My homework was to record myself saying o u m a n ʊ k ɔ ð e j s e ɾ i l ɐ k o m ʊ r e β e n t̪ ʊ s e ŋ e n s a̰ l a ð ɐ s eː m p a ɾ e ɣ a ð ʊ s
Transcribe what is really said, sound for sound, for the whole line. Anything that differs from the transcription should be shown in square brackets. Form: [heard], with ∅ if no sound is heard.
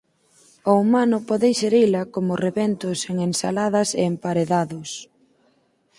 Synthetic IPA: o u m a n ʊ [p] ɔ ð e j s e ɾ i l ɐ k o m ʊ r e β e n t̪ ʊ s e ŋ e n s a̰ l a ð ɐ s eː m p a ɾ e [ð] a ð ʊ s